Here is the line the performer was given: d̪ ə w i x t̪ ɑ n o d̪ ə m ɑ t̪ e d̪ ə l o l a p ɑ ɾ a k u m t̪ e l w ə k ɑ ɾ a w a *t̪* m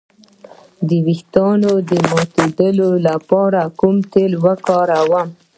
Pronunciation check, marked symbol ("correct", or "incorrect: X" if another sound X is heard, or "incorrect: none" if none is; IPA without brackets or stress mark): incorrect: none